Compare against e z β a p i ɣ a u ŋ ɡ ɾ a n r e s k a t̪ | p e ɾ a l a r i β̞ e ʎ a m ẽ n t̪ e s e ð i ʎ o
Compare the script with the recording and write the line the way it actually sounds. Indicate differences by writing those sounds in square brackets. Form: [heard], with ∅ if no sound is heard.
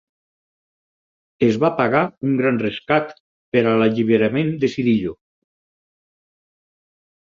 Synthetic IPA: e z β a p [a] ɣ a u ŋ ɡ ɾ a n r e s k a t̪ | p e ɾ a l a [ʎ] i β̞ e [ɾ] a m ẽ n [d̪] e s [i] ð i ʎ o